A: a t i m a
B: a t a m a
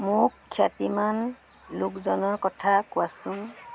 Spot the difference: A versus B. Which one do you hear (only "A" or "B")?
A